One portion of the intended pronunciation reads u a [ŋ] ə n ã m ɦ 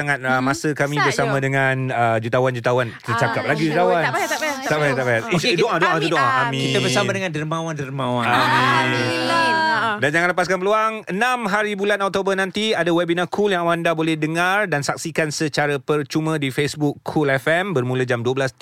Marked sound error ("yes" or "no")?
no